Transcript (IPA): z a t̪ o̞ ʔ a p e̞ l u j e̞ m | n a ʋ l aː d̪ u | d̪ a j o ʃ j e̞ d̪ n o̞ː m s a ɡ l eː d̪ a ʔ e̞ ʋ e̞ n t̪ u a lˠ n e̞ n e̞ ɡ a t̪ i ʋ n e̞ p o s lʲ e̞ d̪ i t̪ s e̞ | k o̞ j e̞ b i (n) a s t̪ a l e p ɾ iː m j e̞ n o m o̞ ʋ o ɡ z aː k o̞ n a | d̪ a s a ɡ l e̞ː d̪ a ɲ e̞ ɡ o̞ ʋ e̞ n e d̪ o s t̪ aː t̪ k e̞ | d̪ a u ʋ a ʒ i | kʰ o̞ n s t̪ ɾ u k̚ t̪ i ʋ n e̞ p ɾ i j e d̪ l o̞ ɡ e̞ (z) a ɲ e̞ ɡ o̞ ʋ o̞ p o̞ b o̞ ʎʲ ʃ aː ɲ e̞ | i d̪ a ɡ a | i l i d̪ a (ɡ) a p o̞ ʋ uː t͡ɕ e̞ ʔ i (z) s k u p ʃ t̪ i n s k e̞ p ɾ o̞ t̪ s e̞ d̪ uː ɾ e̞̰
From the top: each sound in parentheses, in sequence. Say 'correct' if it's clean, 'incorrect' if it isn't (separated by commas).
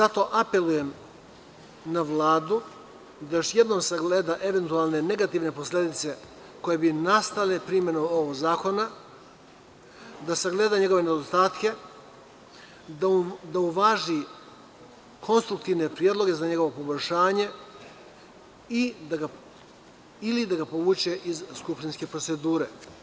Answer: correct, correct, correct, correct